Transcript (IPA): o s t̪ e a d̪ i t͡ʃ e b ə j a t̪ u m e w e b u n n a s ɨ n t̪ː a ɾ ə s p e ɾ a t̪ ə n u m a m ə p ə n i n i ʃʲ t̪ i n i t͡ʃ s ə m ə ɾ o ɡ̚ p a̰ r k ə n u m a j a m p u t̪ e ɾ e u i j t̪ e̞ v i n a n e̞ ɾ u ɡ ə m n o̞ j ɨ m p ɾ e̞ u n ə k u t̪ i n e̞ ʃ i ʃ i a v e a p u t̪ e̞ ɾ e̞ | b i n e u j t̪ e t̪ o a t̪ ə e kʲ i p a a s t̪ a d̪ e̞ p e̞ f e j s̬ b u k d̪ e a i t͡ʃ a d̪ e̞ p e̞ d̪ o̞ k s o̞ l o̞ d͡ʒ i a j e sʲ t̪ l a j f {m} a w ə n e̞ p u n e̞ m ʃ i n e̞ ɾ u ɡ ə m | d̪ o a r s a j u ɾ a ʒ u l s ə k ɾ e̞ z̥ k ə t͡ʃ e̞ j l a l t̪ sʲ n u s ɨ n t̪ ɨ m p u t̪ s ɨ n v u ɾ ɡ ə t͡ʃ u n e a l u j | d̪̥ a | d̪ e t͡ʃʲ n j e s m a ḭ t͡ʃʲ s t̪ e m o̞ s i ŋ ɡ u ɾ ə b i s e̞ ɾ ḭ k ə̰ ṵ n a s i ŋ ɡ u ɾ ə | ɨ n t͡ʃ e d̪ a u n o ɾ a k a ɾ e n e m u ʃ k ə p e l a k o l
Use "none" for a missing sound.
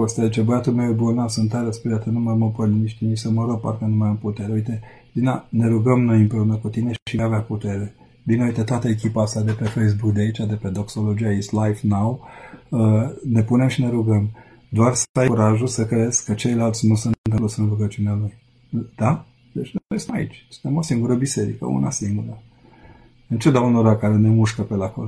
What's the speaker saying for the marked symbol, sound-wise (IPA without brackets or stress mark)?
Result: n